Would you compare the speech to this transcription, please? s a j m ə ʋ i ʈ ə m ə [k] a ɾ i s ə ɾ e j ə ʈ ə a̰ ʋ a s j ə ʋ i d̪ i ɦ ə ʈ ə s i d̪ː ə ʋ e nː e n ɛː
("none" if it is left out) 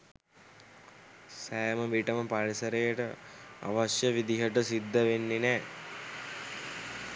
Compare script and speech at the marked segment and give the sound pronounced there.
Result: p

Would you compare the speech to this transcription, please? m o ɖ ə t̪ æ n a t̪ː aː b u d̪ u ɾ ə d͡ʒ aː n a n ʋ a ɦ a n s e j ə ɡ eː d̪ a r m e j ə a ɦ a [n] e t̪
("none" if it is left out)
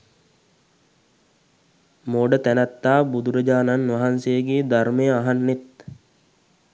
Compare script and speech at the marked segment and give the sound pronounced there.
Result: nː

